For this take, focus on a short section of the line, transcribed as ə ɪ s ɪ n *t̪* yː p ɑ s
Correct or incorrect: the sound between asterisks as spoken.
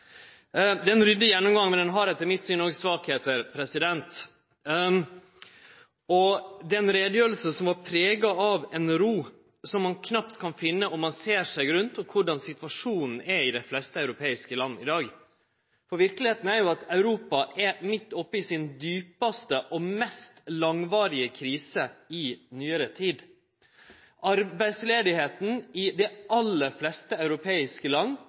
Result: incorrect: d̪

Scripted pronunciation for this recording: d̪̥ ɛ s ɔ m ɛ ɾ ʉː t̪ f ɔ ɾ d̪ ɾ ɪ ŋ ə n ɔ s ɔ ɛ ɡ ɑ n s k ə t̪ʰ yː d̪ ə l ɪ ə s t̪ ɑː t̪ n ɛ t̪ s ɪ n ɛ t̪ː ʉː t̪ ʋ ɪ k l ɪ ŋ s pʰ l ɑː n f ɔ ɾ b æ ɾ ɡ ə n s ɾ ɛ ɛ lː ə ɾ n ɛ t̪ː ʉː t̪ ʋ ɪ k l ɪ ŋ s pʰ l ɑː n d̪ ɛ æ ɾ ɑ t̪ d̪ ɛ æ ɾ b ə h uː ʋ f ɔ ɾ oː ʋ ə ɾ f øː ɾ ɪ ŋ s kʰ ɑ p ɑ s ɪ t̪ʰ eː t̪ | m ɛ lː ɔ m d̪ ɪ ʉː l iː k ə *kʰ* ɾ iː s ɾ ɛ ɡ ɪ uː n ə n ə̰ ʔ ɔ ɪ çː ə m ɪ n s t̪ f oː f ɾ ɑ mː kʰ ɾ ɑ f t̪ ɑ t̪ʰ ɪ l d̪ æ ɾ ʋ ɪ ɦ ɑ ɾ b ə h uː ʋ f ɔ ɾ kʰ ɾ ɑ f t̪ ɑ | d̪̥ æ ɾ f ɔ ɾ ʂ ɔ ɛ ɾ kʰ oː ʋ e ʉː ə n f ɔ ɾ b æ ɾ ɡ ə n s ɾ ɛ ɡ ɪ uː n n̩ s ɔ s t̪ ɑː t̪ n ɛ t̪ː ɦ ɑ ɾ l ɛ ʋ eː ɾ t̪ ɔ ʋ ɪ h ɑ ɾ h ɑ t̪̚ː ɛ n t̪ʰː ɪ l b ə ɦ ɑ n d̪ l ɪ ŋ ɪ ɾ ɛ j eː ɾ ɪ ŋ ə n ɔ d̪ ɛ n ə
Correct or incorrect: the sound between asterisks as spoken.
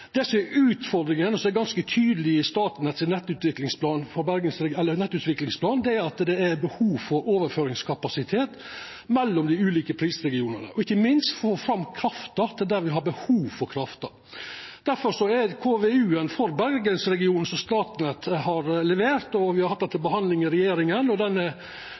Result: incorrect: pʰ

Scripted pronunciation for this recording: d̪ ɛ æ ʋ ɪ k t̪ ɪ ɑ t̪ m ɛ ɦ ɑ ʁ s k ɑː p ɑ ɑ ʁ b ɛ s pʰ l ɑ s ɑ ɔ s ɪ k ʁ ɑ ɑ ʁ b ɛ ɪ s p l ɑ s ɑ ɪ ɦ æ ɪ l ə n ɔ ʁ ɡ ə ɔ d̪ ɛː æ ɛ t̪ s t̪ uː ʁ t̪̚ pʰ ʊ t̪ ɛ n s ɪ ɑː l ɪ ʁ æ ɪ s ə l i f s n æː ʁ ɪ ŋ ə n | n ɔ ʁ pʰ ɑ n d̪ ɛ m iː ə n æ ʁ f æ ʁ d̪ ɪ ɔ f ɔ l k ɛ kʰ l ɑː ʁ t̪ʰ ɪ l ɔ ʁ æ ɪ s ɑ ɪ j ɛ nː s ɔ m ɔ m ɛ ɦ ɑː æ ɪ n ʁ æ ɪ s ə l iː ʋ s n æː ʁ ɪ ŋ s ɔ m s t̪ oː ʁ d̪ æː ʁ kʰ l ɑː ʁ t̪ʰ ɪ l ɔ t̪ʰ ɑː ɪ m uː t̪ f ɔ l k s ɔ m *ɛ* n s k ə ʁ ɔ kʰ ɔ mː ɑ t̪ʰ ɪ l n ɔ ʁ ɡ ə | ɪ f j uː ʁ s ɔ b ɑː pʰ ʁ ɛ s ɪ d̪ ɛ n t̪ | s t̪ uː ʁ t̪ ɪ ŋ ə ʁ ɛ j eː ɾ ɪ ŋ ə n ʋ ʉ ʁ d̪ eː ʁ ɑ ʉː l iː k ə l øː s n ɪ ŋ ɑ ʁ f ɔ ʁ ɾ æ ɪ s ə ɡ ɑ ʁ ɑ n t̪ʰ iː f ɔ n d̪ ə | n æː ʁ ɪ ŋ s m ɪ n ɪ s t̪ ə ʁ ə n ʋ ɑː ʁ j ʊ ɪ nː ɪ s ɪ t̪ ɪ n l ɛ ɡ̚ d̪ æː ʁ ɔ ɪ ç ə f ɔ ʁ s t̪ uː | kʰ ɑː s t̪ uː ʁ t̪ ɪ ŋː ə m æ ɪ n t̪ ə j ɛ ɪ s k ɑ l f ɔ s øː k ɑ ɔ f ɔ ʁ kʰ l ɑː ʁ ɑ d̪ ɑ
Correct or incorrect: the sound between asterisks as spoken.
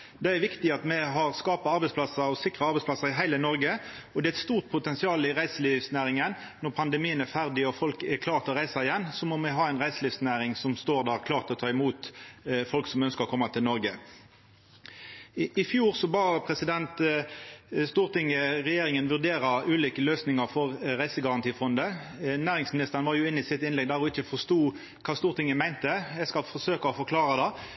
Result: incorrect: œ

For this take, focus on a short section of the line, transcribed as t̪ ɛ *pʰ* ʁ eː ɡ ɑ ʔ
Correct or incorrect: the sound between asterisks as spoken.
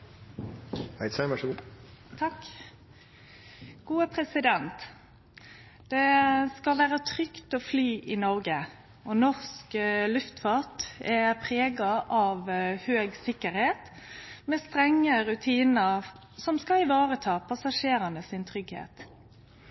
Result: correct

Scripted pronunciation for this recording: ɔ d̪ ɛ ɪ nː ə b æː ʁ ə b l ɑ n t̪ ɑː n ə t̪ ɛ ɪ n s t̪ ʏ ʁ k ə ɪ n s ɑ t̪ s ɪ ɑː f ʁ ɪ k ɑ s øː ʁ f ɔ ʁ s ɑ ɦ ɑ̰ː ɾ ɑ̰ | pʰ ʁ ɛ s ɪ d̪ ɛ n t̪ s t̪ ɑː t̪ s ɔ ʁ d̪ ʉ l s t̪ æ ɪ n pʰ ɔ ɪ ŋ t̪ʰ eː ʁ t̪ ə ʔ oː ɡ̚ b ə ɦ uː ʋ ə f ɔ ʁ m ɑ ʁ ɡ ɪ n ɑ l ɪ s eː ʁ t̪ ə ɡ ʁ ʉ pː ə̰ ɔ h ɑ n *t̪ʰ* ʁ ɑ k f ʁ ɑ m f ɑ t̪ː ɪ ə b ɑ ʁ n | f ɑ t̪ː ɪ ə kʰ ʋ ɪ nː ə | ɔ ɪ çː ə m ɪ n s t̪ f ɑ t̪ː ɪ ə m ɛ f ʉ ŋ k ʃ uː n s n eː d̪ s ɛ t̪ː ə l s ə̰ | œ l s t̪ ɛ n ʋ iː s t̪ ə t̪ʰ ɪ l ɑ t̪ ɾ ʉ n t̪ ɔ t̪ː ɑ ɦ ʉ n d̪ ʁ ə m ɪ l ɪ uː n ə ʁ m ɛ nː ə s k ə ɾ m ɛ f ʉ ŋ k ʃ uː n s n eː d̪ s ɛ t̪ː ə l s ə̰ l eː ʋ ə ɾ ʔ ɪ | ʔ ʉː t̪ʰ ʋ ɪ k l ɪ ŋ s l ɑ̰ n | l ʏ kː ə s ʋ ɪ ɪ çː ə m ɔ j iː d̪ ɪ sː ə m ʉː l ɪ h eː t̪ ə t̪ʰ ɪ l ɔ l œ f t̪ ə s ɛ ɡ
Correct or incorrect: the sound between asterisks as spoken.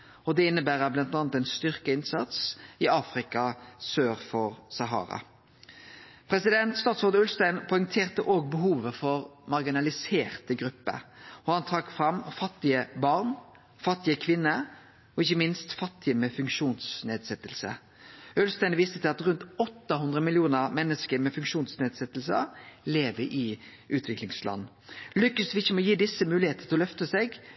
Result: correct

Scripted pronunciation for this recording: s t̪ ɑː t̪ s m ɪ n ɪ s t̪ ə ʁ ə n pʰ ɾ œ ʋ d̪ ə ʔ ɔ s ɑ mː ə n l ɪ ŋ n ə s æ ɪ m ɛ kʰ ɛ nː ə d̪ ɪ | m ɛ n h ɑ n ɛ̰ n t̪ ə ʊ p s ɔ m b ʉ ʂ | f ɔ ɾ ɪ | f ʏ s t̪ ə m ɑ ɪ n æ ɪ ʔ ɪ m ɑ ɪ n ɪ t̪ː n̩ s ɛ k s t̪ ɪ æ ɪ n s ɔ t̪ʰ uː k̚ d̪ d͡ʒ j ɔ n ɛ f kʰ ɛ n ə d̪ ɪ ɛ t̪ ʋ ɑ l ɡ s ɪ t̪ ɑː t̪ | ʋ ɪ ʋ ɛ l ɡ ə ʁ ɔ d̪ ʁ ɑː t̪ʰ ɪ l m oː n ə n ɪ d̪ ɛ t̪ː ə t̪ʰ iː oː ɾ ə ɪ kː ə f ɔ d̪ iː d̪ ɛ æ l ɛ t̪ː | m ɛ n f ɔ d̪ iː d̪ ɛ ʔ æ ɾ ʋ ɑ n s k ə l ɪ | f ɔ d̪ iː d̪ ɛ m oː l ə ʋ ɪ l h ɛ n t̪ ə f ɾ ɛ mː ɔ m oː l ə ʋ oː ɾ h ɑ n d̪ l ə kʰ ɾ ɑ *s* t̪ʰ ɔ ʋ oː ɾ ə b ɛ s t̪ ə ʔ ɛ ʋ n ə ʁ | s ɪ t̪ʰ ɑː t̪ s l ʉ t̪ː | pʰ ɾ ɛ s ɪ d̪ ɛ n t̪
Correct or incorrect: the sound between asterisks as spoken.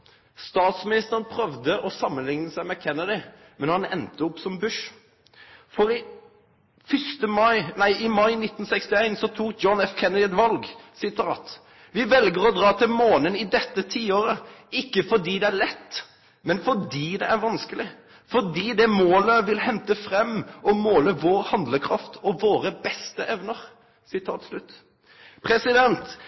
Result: incorrect: f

